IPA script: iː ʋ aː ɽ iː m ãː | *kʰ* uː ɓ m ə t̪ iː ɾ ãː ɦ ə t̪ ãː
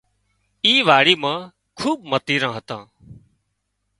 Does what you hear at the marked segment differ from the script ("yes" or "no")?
no